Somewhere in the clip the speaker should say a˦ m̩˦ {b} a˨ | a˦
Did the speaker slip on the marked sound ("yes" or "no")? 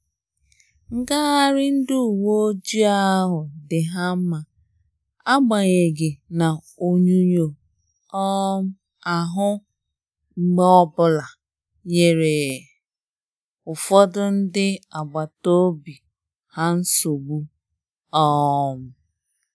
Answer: yes